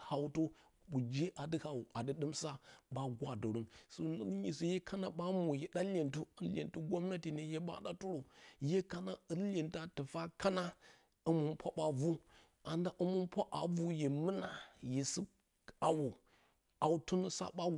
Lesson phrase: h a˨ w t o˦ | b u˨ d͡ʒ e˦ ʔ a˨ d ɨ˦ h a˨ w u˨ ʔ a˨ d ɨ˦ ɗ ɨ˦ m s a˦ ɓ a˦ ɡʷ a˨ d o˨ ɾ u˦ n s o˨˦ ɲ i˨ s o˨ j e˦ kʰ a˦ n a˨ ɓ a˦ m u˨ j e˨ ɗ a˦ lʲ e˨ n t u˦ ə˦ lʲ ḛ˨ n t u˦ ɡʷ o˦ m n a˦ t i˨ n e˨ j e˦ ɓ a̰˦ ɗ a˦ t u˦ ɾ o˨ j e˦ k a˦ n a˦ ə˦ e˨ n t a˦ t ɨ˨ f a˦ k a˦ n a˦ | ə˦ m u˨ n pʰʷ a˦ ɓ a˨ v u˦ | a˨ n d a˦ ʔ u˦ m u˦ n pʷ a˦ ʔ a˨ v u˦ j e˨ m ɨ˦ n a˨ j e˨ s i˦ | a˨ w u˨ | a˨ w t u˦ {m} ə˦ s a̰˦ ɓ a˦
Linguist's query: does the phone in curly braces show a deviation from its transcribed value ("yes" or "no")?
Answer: yes